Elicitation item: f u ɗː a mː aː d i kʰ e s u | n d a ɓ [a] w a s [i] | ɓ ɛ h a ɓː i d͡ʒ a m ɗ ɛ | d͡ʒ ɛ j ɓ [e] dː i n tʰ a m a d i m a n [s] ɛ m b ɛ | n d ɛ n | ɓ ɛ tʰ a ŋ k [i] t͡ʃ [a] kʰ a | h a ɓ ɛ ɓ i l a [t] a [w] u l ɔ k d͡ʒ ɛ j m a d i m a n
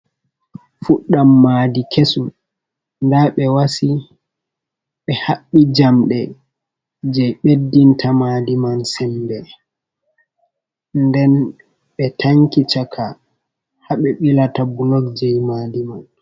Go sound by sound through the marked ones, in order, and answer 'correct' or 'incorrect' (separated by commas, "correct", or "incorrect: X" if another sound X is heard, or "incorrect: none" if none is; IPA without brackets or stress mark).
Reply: incorrect: ɛ, correct, correct, correct, correct, correct, correct, incorrect: b